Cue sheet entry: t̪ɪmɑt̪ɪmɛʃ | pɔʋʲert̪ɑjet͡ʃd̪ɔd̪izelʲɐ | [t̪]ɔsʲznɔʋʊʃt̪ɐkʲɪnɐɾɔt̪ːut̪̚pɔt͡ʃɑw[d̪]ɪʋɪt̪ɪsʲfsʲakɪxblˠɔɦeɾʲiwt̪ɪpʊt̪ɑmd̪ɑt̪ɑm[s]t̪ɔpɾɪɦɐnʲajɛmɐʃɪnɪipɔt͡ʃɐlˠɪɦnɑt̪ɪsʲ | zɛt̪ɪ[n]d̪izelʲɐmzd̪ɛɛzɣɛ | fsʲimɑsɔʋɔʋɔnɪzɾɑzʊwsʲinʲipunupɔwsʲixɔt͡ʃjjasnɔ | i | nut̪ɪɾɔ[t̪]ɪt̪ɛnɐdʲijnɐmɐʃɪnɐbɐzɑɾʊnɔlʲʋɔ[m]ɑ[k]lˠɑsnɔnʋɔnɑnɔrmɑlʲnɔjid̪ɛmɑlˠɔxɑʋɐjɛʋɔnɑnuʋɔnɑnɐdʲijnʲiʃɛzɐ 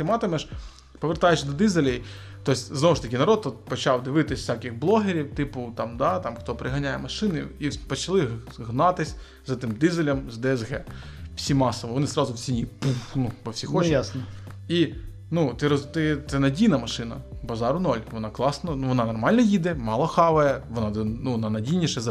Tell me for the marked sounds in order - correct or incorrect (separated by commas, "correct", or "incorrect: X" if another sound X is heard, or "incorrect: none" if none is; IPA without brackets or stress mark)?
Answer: correct, correct, incorrect: x, incorrect: m, correct, incorrect: n, correct